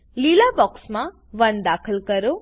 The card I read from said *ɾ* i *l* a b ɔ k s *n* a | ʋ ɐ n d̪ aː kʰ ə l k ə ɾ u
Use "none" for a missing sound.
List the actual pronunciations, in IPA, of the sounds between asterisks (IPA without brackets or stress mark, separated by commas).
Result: l, l, m